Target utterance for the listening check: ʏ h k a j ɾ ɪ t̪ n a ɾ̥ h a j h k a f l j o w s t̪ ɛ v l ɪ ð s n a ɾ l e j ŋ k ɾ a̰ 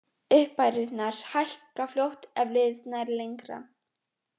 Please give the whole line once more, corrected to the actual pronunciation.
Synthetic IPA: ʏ h p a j ɾ ɪ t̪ n a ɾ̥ h a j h k a f l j o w h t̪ ɛ v l ɪ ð s n a ɾ l e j ŋ k ɾ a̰